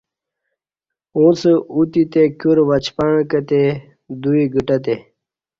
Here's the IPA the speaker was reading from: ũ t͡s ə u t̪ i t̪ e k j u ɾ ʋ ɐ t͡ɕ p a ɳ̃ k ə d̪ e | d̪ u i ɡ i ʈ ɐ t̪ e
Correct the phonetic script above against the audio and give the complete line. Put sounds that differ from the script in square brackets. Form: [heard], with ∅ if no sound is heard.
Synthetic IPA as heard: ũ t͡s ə u t̪ i t̪ e k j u ɾ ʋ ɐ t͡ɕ p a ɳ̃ k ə [t̪] e | d̪ u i ɡ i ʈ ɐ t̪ e